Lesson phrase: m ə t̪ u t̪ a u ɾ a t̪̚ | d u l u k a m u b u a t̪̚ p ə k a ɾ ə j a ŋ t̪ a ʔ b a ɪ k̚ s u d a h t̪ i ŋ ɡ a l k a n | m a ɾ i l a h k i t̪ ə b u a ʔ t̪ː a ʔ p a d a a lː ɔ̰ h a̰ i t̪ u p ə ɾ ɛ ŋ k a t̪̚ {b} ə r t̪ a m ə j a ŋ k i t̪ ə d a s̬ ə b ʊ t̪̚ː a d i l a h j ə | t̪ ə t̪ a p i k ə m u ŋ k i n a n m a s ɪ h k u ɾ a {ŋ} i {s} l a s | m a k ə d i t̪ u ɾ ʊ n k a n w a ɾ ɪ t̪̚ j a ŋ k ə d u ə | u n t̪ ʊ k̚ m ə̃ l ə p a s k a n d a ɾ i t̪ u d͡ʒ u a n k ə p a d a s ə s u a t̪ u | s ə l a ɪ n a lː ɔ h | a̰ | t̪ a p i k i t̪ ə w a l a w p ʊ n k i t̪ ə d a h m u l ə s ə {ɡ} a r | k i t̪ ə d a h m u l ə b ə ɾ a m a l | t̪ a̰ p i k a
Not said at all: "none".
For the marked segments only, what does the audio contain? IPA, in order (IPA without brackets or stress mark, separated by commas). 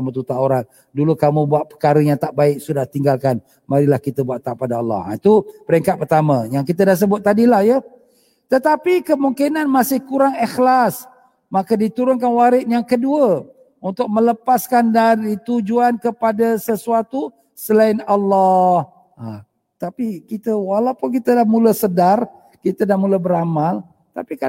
p, ŋ, x, d